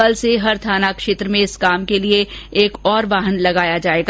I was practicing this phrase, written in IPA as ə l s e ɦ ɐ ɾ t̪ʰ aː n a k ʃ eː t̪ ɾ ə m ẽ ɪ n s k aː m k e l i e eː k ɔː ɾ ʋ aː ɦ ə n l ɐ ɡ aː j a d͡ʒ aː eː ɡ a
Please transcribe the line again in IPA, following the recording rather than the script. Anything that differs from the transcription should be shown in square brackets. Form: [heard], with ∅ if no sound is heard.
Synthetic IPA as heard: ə l s e ɦ ɐ ɾ t̪ʰ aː n a k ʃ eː t̪ ɾ ə m ẽ ɪ [∅] s k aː m k e l i e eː k ɔː ɾ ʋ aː ɦ ə n l ɐ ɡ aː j a d͡ʒ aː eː ɡ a